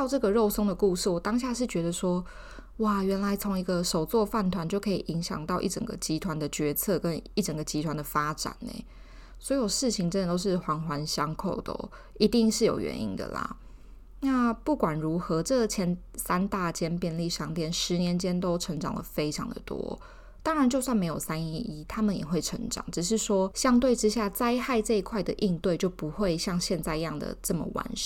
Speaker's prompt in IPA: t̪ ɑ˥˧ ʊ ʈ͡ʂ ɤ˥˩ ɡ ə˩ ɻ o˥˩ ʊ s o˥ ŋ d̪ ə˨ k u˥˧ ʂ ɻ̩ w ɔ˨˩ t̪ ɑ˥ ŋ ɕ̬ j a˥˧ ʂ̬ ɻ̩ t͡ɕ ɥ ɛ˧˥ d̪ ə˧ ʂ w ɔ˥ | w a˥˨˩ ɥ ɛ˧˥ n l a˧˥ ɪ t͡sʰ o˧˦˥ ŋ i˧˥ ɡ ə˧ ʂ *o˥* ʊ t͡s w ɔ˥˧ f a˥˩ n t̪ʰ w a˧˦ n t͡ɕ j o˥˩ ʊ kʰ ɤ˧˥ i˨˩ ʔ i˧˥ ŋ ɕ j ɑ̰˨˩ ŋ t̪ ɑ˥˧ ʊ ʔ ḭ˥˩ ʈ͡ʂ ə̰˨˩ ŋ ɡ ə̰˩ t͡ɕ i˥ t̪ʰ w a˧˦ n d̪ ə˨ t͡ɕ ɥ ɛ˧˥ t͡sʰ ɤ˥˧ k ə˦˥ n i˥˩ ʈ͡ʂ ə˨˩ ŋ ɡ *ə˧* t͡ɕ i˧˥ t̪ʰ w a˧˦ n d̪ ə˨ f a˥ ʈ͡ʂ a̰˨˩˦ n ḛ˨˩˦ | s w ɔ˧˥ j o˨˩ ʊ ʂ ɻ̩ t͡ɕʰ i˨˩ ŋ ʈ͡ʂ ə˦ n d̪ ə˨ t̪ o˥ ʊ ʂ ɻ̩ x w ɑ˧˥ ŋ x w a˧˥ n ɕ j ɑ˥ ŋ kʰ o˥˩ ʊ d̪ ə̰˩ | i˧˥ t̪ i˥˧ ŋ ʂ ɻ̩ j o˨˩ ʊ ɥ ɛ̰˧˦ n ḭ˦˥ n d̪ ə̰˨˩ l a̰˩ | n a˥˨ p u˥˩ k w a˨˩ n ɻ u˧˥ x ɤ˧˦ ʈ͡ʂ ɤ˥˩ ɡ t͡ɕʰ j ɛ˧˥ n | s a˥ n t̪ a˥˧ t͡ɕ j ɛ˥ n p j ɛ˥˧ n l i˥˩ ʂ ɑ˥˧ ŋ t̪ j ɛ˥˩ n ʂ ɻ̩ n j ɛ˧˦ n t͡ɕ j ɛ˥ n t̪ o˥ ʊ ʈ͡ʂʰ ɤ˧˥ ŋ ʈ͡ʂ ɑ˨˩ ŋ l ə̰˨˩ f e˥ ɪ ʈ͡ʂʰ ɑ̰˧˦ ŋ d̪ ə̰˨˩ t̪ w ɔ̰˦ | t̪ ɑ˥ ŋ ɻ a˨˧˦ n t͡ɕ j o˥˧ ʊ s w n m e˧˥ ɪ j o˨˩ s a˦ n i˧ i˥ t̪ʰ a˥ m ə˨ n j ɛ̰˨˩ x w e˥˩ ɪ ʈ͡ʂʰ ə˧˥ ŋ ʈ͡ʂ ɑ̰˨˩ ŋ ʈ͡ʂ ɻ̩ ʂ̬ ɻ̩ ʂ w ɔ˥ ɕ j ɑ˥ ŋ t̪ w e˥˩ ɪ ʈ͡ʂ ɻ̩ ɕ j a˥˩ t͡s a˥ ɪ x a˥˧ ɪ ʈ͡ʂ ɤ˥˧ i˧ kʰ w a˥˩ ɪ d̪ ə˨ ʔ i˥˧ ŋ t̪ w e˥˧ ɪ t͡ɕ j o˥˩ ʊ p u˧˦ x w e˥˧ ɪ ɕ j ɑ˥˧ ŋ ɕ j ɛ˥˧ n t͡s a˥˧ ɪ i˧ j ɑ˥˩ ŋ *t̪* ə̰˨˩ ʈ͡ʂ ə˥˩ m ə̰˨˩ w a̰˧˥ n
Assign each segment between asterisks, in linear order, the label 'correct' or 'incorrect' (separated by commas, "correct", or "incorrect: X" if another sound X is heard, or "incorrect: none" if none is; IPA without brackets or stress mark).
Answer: incorrect: o˨˩, incorrect: ə˩, incorrect: d̪